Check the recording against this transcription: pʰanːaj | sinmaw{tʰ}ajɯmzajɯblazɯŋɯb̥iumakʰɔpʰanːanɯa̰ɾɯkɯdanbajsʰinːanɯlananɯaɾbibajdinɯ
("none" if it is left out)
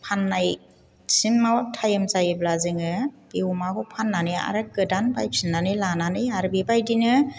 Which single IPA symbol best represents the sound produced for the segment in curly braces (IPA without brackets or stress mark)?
tʰ